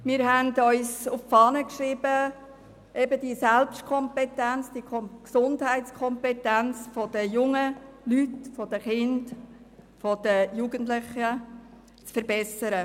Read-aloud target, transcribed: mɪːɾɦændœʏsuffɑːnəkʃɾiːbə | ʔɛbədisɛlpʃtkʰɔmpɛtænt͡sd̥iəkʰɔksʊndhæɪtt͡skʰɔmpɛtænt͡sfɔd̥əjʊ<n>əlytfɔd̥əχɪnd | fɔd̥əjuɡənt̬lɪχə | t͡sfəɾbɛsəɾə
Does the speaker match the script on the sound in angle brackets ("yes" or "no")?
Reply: no